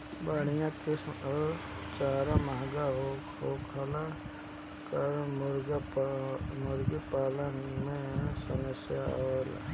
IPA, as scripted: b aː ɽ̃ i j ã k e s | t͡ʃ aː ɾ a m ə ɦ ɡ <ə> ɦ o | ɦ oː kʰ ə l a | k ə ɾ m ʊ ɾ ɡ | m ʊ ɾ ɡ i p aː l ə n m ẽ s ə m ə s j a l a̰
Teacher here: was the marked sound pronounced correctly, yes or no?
no